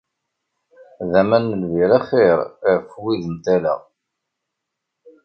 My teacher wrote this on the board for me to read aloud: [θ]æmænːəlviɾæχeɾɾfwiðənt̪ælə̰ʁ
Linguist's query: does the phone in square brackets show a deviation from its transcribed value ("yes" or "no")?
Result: yes